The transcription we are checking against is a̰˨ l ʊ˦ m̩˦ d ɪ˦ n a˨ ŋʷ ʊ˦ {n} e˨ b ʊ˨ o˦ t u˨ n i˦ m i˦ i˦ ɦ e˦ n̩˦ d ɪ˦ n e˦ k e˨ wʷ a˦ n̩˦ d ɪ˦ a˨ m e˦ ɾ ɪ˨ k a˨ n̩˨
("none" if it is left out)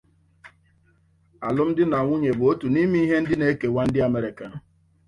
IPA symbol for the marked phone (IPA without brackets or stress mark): ɲ